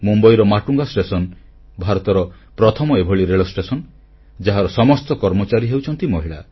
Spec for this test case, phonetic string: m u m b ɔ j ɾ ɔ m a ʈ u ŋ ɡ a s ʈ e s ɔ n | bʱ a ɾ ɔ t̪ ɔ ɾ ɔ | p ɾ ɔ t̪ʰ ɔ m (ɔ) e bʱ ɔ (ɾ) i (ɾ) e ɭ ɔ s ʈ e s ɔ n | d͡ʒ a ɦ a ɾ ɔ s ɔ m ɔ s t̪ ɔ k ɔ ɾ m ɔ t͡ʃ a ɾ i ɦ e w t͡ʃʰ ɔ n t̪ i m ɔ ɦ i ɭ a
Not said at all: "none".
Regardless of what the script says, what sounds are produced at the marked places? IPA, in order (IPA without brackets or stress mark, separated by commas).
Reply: ɔ, ɭ, ɾ